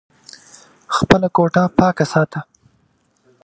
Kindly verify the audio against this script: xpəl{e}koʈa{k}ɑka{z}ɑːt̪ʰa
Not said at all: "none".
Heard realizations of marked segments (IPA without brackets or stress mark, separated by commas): a, p, s